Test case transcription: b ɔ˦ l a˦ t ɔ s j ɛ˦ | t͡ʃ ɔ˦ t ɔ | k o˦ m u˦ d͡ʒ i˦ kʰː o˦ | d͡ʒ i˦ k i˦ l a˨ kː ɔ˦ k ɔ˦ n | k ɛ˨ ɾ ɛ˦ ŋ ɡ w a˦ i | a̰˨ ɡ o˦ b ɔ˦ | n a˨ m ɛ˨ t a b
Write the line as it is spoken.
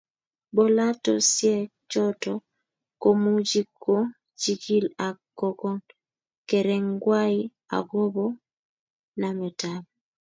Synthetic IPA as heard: b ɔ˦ l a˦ t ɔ s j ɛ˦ | t͡ʃ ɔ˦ t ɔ | k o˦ m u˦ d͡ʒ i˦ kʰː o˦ | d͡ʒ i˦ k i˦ l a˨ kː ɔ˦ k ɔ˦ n | k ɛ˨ ɾ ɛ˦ ŋ ɡ w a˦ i | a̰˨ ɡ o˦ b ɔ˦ | n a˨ m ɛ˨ t a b